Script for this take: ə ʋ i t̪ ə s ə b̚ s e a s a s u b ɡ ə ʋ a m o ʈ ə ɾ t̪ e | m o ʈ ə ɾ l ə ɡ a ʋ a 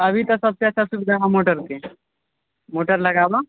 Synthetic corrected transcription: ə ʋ i t̪ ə s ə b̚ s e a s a s u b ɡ a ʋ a m o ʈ ə ɾ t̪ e | m o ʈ ə ɾ l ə ɡ a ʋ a